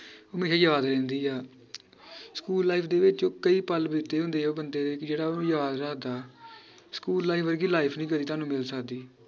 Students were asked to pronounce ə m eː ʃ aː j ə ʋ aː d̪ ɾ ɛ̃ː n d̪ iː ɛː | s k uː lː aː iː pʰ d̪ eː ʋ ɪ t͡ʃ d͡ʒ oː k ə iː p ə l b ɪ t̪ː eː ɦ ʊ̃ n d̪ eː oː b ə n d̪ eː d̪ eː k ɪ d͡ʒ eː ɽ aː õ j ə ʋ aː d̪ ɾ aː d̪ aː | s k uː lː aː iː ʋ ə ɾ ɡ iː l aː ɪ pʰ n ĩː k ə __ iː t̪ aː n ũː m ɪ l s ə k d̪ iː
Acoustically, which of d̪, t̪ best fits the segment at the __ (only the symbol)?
d̪